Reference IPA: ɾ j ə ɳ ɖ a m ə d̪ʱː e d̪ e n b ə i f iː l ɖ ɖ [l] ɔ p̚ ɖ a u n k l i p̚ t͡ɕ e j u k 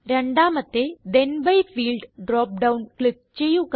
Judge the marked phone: incorrect: ɾ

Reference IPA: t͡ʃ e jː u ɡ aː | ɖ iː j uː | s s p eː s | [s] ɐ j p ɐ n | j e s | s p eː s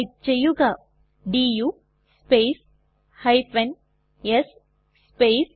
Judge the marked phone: incorrect: h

